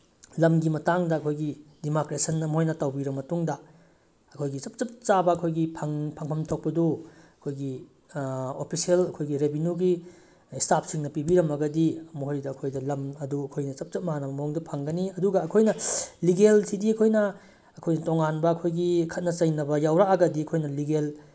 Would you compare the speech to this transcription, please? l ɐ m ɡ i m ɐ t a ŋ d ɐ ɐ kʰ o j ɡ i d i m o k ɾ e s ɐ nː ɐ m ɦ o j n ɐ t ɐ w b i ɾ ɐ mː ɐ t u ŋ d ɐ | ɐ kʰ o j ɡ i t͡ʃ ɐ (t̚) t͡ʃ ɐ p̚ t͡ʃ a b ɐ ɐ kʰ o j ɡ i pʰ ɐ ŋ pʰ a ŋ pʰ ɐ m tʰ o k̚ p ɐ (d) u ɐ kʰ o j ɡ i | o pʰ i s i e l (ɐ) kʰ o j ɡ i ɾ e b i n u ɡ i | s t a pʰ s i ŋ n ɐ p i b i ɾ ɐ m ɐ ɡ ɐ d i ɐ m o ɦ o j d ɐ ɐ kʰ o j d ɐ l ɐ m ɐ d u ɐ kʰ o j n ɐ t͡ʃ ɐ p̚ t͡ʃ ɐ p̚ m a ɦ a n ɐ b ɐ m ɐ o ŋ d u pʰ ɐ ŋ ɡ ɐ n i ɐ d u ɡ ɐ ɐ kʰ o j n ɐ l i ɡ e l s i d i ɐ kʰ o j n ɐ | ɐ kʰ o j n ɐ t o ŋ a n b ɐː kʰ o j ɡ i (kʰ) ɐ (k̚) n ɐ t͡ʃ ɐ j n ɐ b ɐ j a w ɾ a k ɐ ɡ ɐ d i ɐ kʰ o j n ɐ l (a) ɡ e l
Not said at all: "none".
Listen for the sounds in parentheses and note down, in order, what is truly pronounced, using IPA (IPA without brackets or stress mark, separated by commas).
p̚, d, ɐ, kʰ, t̚, i